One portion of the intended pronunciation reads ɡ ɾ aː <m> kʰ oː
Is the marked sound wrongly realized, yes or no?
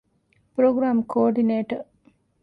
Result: no